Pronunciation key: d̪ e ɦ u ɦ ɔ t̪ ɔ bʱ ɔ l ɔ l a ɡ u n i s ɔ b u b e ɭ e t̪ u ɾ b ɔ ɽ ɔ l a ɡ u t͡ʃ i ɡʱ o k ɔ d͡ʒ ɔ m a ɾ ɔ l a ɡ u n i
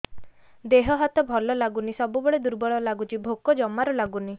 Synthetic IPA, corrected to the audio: d̪ e ɦ ɔ ɦ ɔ t̪ ɔ bʱ ɔ l ɔ l a ɡ u n i s ɔ b u b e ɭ e d̪ u ɾ b ɔ ɭ ɔ l a ɡ u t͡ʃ i bʱ o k ɔ d͡ʒ ɔ m a ɾ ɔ l a ɡ u n i